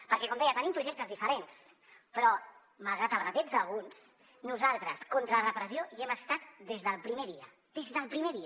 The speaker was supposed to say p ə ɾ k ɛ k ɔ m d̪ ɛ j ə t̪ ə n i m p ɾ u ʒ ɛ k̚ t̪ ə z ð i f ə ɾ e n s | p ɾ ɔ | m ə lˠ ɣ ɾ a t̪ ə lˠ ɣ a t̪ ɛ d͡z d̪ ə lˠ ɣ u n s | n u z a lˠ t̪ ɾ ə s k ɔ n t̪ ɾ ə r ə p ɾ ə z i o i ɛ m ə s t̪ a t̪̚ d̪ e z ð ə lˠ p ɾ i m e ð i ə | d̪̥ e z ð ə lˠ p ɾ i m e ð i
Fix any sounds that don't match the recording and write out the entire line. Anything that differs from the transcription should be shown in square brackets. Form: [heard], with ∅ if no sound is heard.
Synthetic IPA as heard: p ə ɾ k ɛ k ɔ m d̪ ɛ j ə t̪ ə n i m p ɾ u ʒ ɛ k̚ t̪ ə z ð i f ə ɾ e n s | p ɾ ɔ | m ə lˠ ɣ ɾ a t̪ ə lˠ ɣ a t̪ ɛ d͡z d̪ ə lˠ ɣ u n s | n u z a lˠ t̪ ɾ ə s k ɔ n t̪ ɾ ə r ə p ɾ ə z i o i ɛ m ə s t̪ a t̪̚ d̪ e z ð ə lˠ p ɾ i m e ð i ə | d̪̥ e z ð ə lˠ p ɾ i m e ð i